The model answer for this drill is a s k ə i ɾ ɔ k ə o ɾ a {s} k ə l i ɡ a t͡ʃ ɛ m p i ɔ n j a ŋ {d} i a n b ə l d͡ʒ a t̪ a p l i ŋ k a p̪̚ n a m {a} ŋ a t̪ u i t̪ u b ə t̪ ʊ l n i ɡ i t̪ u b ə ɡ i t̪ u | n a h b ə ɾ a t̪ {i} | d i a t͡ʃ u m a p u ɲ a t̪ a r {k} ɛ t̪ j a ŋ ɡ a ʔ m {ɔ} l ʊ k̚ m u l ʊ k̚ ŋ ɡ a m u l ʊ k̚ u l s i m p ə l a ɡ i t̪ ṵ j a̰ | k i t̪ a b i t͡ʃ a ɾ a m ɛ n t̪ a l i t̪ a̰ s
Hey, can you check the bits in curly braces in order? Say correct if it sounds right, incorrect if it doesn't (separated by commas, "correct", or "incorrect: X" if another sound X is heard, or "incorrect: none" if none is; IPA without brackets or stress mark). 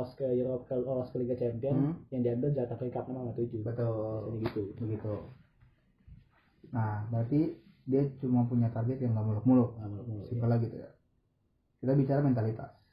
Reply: correct, correct, correct, correct, incorrect: ɡ, incorrect: u